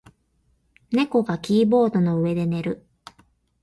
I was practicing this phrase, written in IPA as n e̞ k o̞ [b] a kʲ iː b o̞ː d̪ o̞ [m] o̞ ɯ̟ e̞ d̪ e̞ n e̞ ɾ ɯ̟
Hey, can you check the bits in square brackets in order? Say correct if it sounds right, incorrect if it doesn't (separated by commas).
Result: incorrect, incorrect